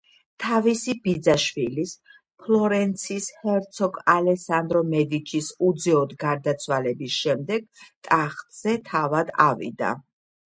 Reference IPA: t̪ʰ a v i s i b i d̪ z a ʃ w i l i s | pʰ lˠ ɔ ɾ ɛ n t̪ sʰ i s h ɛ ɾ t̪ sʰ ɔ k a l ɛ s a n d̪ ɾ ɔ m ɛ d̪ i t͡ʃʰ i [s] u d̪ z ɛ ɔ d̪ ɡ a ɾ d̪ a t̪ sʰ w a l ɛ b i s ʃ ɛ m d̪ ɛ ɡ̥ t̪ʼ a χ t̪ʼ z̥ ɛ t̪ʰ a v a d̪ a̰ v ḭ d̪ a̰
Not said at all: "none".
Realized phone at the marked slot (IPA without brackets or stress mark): s